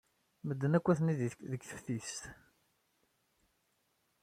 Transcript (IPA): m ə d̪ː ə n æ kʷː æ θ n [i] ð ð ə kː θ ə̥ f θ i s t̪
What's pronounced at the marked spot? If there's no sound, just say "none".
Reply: i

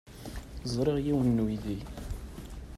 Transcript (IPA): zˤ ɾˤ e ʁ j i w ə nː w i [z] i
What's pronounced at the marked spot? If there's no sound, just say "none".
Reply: ð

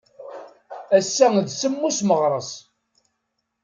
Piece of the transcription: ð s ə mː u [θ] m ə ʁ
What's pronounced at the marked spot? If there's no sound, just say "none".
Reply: s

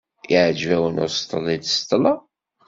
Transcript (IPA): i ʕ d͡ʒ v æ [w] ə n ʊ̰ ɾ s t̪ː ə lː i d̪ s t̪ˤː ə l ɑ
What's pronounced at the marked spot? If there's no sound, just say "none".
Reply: w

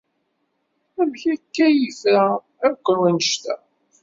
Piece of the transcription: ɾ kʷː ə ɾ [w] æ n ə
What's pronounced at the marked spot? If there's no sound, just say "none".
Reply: w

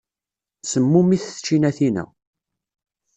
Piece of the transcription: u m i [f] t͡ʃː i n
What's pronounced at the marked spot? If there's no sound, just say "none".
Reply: θ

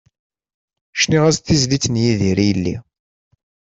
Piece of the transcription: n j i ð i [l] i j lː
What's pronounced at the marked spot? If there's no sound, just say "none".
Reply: ɾ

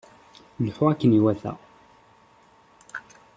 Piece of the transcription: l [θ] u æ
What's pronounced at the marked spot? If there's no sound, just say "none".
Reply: ħ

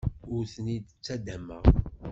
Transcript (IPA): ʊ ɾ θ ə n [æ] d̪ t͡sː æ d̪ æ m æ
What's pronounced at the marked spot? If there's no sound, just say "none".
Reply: i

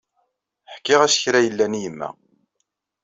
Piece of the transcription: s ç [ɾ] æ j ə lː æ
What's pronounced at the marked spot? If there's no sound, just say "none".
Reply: ɾ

